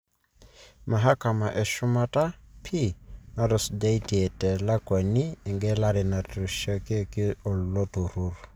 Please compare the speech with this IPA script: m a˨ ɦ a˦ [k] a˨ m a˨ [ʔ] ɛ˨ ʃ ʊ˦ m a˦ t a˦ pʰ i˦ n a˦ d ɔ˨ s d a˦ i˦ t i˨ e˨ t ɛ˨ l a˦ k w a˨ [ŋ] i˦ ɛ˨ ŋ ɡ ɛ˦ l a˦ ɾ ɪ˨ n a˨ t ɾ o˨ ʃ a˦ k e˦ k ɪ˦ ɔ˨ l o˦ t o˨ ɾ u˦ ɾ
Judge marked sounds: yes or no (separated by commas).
yes, yes, no